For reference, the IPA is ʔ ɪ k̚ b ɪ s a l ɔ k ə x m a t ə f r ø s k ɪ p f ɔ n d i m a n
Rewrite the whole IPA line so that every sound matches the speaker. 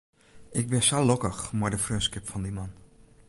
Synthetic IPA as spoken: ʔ ɪ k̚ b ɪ s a l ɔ k ə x m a d ə f r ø s k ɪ p f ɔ n d i m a n